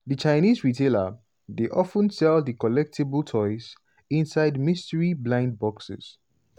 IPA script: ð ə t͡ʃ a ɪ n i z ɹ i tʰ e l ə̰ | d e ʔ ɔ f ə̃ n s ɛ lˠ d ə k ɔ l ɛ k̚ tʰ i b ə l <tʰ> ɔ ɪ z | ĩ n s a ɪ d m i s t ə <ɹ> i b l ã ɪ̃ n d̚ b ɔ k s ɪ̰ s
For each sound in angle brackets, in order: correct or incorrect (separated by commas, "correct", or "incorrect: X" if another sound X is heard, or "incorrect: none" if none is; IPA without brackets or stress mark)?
correct, correct